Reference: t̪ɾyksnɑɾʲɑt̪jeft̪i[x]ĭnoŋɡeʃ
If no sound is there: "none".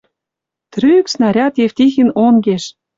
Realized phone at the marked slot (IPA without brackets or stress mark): x